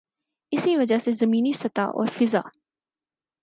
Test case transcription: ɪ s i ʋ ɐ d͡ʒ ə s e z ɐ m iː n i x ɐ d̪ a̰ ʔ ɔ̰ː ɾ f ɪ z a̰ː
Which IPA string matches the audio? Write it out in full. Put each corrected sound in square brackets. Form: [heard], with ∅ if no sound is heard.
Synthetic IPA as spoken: ɪ s i ʋ ɐ d͡ʒ [a] s e z ɐ m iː n i [s] ɐ [t̪] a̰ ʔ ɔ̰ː ɾ f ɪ z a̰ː